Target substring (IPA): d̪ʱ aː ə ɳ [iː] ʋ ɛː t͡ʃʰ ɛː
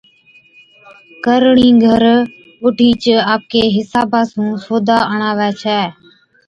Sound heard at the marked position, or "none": aː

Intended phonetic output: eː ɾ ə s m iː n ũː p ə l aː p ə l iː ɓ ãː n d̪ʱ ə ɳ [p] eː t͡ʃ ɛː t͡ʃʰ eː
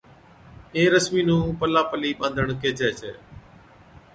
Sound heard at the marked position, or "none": k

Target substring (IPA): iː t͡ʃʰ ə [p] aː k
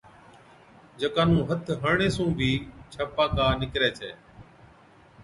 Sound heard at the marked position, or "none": p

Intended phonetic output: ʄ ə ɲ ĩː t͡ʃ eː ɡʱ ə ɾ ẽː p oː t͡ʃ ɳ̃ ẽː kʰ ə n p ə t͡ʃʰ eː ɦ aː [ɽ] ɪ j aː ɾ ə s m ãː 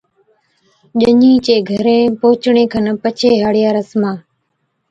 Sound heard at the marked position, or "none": ɽ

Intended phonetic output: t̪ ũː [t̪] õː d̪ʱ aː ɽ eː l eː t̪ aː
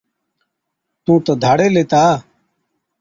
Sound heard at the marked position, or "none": t̪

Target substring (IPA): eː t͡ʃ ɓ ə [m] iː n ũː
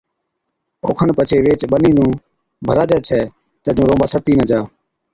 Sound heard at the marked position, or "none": n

